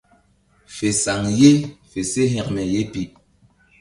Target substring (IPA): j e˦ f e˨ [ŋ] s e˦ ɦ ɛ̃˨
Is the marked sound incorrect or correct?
incorrect